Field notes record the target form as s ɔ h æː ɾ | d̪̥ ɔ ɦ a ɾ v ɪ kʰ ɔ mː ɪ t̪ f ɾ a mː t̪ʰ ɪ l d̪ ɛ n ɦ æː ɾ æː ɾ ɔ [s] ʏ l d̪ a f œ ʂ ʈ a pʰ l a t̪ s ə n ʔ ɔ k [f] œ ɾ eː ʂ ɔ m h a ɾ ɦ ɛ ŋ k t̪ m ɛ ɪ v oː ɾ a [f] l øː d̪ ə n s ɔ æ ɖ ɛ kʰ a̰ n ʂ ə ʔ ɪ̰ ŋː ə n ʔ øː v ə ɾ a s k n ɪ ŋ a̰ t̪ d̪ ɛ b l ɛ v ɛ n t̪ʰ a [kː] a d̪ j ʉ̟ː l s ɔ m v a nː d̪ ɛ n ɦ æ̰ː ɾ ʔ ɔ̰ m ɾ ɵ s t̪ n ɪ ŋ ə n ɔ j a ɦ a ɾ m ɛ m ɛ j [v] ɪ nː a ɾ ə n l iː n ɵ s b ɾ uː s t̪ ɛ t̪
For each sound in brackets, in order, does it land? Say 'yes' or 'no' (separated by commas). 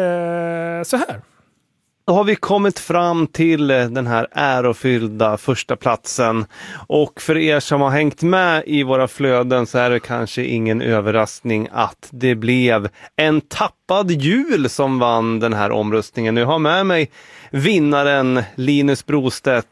no, yes, yes, no, yes